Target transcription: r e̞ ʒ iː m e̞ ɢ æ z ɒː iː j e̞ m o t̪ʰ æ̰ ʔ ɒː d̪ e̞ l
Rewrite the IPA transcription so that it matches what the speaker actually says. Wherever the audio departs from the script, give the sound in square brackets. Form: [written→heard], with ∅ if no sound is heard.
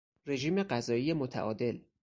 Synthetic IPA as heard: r e̞ ʒ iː m e̞ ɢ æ z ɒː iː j e̞ m o t̪ʰ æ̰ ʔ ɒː d̪ e̞ l